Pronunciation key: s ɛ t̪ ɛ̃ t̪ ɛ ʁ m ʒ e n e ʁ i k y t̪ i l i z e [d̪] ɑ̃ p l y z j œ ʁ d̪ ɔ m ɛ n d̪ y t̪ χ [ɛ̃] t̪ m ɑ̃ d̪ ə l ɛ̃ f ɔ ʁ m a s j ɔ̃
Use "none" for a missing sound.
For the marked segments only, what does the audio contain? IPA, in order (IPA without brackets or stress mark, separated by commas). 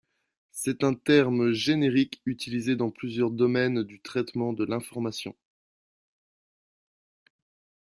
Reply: d̪, ɛ